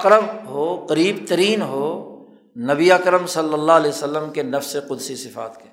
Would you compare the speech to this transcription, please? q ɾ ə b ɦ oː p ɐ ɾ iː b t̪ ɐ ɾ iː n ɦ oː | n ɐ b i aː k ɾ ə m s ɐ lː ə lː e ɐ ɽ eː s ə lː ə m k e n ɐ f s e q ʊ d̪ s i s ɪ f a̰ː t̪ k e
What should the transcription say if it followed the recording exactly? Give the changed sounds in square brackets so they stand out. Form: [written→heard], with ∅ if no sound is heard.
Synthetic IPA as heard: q ɾ ə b ɦ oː [p→q] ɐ ɾ iː b t̪ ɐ ɾ iː n ɦ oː | n ɐ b i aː k ɾ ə m s ɐ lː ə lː [e→a] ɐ [ɽ→l] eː s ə lː ə m k e n ɐ f s e q ʊ d̪ s i s ɪ f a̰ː t̪ k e